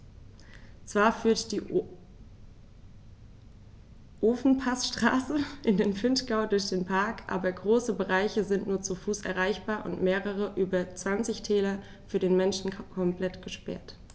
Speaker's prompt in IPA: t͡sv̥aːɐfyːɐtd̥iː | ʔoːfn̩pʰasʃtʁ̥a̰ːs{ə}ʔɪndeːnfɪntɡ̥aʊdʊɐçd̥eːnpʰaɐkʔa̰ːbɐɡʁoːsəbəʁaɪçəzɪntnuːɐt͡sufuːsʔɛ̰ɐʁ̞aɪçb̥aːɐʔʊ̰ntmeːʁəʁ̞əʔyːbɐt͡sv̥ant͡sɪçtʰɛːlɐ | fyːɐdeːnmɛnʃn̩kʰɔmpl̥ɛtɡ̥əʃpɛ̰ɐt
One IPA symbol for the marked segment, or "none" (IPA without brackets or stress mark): ə